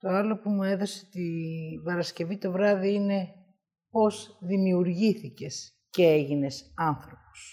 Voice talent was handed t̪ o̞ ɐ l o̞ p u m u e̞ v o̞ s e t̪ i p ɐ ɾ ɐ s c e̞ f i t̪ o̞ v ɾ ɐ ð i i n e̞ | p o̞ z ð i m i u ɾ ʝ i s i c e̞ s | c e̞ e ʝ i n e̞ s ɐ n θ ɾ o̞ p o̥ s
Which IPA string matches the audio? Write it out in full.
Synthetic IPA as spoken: t̪ o̞ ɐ l o̞ p u m u e̞ ð o̞ s e t̪ i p ɐ ɾ ɐ s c e̞ v i t̪ o̞ v ɾ ɐ ð i i n e̞ | p o̞ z ð i m i u ɾ ʝ i θ i c e̞ s | c e̞ e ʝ i n e̞ s ɐ n θ ɾ o̞ p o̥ s